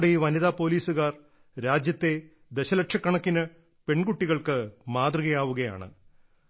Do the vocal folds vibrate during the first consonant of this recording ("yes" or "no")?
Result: yes